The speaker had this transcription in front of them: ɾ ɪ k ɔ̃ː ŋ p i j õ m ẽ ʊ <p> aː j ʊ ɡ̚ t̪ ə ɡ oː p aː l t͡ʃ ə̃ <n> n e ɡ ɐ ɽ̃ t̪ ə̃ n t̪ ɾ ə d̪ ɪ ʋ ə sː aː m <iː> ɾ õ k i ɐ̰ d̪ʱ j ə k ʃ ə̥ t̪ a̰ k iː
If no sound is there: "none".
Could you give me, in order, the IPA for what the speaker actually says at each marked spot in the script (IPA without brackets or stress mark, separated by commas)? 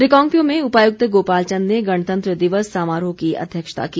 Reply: p, n, aː